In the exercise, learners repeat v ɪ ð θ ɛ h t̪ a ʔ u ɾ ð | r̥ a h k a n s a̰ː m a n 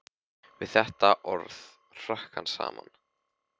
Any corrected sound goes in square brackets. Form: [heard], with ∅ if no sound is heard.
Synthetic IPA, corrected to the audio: v ɪ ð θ ɛ h t̪ a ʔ [ɔ] ɾ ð | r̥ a h k a n s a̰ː m a n